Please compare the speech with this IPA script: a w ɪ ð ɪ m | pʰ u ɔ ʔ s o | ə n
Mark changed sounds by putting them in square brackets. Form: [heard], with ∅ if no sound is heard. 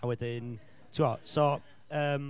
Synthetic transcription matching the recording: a w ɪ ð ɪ [n] | [tʰ] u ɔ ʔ s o | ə [m]